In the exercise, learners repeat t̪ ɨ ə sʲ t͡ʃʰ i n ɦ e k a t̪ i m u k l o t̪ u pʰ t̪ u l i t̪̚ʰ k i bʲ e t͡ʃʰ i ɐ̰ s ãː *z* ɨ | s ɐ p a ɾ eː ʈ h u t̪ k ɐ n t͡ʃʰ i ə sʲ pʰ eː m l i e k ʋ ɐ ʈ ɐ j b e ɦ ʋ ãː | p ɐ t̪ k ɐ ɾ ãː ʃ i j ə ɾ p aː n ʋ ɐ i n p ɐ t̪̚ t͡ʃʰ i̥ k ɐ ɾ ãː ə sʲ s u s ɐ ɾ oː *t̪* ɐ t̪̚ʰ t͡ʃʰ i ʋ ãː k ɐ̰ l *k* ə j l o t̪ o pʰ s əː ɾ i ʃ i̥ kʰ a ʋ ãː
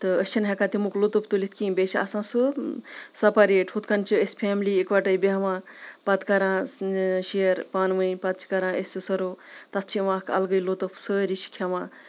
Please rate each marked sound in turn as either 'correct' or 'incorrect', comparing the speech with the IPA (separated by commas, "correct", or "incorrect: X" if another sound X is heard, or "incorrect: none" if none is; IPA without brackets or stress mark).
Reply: incorrect: s, correct, incorrect: ɡ